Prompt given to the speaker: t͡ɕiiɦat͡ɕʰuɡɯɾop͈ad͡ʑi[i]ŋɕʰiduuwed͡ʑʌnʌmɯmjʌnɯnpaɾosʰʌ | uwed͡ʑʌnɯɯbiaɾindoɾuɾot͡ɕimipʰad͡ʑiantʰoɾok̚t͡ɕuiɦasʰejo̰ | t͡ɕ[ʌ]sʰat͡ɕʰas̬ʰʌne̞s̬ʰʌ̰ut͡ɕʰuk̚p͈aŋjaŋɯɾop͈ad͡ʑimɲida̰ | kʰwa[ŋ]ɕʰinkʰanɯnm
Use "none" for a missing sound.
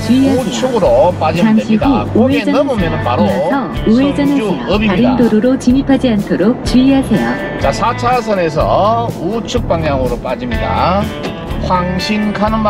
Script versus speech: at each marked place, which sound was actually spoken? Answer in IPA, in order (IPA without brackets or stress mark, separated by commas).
a, a, ŋ